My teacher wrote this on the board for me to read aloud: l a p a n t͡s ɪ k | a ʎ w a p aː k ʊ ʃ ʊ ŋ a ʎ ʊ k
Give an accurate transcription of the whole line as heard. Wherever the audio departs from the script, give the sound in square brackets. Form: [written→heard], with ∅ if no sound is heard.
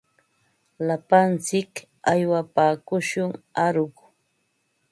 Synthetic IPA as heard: l a p a n t͡s ɪ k | a [ʎ→j] w a p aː k ʊ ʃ ʊ ŋ a [ʎ→ɾ] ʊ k